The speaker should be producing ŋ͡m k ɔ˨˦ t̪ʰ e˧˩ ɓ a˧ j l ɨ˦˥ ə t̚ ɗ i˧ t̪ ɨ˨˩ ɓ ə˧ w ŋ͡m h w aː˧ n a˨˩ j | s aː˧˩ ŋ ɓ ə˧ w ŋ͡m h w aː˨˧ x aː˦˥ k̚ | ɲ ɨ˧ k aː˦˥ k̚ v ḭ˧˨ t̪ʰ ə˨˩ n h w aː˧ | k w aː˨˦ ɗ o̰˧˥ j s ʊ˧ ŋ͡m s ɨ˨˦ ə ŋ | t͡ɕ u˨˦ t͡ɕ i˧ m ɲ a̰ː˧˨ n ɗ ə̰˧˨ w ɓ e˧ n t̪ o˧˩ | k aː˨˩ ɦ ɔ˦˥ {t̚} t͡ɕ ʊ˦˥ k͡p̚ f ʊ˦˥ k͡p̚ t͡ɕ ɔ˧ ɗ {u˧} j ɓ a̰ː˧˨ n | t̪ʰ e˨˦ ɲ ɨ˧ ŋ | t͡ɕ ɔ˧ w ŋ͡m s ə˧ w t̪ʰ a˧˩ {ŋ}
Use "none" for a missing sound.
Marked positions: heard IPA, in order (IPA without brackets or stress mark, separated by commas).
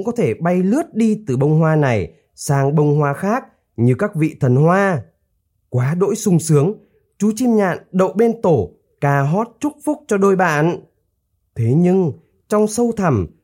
t̚, o˧, m